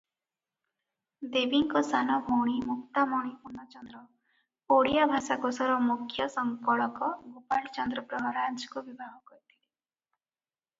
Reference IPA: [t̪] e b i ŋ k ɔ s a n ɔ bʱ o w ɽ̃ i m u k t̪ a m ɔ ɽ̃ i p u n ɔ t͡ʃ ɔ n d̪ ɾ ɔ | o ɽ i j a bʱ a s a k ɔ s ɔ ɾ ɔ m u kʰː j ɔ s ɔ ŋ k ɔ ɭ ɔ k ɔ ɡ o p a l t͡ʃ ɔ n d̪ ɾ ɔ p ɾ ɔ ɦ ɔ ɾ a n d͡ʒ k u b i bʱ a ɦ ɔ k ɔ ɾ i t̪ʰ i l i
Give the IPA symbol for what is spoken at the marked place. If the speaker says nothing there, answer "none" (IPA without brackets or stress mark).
d̪